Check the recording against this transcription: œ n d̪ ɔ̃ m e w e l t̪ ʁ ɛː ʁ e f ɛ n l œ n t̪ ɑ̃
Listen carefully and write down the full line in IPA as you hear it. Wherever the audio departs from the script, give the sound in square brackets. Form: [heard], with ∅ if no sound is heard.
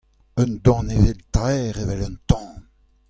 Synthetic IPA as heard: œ n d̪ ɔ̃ [n] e [v] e l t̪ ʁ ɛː ʁ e [v] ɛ [∅] l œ n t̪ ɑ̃